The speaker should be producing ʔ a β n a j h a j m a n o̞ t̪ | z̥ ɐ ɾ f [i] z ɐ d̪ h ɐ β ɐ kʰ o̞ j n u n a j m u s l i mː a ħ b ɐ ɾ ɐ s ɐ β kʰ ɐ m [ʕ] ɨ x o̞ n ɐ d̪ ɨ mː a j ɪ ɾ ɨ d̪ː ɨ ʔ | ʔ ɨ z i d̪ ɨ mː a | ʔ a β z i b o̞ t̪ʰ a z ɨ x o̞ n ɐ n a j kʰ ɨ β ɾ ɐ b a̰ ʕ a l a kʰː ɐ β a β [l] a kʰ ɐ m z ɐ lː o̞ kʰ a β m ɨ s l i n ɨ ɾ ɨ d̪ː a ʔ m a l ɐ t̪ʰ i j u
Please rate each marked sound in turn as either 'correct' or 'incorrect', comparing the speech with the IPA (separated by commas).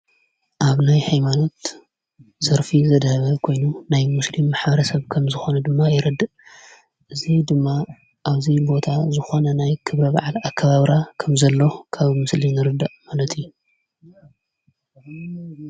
correct, incorrect, incorrect